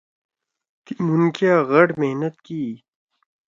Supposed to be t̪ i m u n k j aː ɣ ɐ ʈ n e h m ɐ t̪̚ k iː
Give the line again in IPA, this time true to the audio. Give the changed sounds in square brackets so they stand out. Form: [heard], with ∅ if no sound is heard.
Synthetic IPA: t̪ i m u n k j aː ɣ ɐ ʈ [m] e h [n] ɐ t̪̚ k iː